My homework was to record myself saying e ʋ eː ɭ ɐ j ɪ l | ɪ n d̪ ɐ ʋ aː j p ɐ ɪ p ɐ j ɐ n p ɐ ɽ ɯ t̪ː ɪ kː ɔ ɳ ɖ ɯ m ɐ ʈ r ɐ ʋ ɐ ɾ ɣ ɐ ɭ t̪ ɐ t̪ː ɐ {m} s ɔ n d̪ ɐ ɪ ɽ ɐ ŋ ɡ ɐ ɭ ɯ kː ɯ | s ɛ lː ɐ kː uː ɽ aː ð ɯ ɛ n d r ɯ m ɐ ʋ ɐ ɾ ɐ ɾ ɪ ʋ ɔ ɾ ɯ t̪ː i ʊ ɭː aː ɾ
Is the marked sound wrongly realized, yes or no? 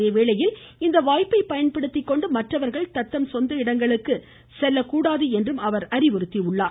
no